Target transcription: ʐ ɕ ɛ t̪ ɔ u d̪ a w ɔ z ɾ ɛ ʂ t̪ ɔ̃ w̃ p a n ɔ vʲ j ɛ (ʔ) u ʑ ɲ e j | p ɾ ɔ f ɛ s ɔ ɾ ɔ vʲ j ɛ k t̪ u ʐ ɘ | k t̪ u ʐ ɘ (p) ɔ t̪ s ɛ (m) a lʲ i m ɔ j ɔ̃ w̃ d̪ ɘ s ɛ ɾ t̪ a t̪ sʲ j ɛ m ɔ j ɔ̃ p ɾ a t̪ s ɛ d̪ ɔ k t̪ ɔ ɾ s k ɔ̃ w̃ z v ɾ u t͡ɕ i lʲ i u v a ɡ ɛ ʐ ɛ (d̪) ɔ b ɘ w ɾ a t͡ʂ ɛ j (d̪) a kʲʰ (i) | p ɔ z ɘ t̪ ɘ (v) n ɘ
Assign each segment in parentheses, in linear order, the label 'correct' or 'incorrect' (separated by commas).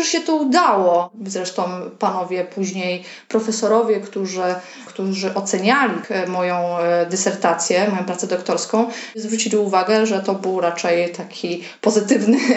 incorrect, incorrect, incorrect, incorrect, incorrect, correct, correct